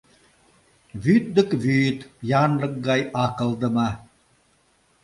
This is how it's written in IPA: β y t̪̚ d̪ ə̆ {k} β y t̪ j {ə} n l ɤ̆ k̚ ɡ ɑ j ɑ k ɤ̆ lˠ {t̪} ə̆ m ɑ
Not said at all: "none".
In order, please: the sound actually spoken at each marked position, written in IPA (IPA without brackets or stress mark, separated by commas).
k, ɑ, d̪